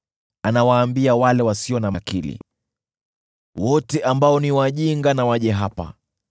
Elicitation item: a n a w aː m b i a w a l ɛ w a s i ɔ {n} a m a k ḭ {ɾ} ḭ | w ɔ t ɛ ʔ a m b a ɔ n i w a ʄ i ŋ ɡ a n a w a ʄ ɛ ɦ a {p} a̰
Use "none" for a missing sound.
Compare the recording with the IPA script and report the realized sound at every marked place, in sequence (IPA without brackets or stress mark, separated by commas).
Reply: n, l, p